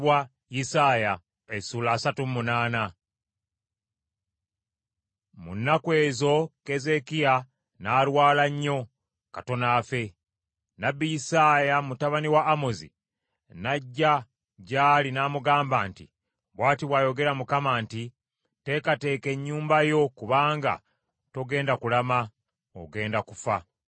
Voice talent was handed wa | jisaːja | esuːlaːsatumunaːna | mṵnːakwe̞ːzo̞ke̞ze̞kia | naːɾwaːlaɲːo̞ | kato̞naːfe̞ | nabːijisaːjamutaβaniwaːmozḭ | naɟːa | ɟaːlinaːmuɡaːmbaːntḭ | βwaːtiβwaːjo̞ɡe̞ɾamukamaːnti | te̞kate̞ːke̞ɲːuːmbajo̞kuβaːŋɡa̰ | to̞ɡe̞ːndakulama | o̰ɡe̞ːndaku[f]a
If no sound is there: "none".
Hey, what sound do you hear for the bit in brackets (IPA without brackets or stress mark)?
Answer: f